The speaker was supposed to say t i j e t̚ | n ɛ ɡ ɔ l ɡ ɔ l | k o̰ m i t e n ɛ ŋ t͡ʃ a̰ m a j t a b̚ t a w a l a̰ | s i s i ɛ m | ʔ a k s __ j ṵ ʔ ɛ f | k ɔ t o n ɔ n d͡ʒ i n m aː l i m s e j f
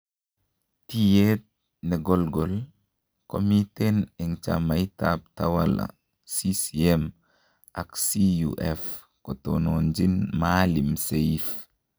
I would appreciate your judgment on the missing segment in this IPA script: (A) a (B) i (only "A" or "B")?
B